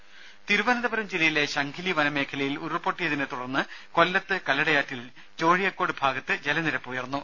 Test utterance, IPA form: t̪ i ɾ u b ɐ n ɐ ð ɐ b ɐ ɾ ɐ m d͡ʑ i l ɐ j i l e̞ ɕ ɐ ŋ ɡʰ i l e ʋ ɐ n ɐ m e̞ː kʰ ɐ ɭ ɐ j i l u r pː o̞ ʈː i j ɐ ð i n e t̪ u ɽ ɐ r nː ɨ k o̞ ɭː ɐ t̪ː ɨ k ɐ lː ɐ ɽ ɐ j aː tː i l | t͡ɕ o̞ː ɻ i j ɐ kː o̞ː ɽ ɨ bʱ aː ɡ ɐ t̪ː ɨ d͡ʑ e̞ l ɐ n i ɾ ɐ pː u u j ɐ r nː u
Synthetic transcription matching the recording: t̪ i ɾ u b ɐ n ɐ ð ɐ b ɐ ɾ ɐ m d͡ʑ i l ɐ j i l e̞ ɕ ɐ ŋ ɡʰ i l i ʋ ɐ n ɐ m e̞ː kʰ ɐ l ɐ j i l u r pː o̞ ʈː i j ɐ ð i n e t̪ u ɽ ɐ r nː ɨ k o̞ lː ɐ t̪ː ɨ k ɐ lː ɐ ɽ ɐ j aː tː i l | t͡ɕ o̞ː ɻ i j ɐ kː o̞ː ɽ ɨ bʱ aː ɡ ɐ t̪ː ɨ d͡ʑ e̞ l ɐ n i ɾ ɐ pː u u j ɐ r nː u